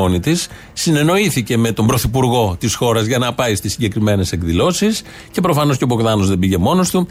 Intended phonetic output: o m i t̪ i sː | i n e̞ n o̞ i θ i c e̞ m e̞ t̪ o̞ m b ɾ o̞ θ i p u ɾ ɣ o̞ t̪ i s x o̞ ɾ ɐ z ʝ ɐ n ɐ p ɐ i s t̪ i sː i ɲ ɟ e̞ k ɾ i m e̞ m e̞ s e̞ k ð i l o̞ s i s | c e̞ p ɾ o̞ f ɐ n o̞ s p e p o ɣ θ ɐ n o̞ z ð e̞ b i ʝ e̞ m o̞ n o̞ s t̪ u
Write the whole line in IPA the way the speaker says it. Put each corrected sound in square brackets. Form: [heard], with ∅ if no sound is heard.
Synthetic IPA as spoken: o [n] i t̪ i sː | i n e̞ n o̞ i θ i c e̞ m e̞ t̪ o̞ m b ɾ o̞ θ i p u ɾ ɣ o̞ t̪ i s x o̞ ɾ ɐ z ʝ ɐ n ɐ p ɐ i s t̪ i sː i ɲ ɟ e̞ k ɾ i m e̞ [n] e̞ s e̞ k ð i l o̞ s i s | c e̞ p ɾ o̞ f ɐ n o̞ s [c] e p o ɣ [ð] ɐ n o̞ z ð e̞ b i ʝ e̞ m o̞ n o̞ s t̪ u